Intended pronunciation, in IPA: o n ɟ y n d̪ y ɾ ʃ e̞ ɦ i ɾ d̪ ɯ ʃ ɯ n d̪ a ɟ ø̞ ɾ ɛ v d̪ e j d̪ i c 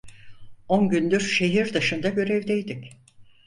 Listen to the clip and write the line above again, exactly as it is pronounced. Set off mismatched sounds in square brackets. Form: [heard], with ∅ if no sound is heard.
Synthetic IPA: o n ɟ y n d̪ y ɾ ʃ e̞ ɦ i ɾ d̪ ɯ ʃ ɯ n d̪ a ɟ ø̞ ɾ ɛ v d̪ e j d̪ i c